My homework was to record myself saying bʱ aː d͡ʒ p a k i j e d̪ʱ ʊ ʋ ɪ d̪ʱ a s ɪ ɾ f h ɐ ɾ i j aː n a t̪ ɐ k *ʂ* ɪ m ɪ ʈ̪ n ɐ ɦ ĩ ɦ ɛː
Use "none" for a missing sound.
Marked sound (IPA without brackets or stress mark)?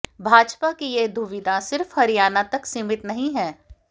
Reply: s